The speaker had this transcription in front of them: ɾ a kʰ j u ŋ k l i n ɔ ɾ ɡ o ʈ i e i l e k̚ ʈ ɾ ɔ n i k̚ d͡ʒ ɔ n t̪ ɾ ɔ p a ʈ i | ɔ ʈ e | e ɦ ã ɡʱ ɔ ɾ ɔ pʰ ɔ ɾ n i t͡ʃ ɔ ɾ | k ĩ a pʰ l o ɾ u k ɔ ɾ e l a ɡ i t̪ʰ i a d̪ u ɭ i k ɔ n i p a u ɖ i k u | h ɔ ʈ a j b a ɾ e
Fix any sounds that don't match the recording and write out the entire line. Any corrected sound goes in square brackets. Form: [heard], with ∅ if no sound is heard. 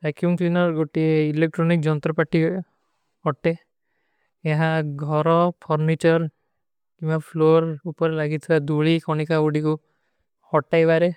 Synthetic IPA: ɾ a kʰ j u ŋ k l i n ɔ ɾ ɡ o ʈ i e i l e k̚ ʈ ɾ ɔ n i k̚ d͡ʒ ɔ n t̪ ɾ ɔ p a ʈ i | ɔ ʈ e | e ɦ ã ɡʱ ɔ ɾ ɔ pʰ ɔ ɾ n i t͡ʃ ɔ ɾ | k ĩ a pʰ l o ɾ u [p] ɔ ɾ e l a ɡ i t̪ʰ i a d̪ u ɭ i k ɔ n i [k] a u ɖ i k u | h ɔ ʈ a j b a ɾ e